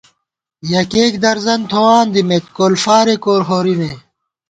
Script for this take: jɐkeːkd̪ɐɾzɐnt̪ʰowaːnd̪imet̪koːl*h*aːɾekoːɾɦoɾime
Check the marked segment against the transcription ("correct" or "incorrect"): incorrect